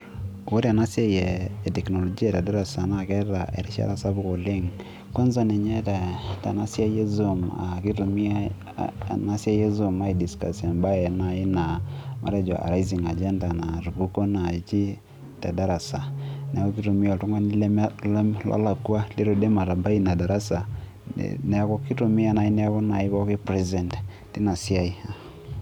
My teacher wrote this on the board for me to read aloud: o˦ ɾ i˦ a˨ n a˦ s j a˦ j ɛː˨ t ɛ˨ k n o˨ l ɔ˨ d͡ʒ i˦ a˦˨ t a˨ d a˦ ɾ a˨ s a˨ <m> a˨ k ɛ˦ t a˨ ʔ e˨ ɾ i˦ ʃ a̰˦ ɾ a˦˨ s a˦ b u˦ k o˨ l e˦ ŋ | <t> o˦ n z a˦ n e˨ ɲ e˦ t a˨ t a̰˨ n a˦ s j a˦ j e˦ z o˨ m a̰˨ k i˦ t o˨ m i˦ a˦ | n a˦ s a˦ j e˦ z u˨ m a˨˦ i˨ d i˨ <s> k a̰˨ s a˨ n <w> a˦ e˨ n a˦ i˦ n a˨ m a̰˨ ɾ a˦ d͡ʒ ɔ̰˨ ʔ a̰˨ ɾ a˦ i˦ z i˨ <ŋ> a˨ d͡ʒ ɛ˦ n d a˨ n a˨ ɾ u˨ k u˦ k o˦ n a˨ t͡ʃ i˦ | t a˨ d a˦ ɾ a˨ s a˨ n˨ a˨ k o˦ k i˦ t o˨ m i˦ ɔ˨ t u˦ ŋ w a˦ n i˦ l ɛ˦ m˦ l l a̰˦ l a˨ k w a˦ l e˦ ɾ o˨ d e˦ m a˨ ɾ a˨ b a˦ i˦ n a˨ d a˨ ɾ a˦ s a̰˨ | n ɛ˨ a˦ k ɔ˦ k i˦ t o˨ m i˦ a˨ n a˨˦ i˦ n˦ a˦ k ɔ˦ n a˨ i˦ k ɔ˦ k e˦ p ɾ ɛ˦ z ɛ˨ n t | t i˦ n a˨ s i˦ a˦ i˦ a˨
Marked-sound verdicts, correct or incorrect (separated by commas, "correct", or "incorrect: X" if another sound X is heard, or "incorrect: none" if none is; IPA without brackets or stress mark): incorrect: n, incorrect: k, correct, incorrect: b, correct